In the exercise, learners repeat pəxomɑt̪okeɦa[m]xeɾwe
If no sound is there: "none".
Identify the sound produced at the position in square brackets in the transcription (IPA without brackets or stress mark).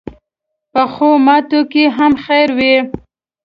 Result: m